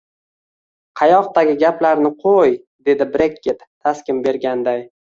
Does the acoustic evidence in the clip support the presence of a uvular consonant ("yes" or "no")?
yes